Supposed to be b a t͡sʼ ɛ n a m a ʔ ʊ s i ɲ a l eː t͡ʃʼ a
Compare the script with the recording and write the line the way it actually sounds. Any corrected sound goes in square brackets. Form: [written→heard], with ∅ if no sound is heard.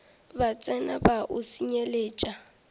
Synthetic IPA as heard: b a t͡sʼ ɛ n a [m→b] a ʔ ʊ s i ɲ [a→e] l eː t͡ʃʼ a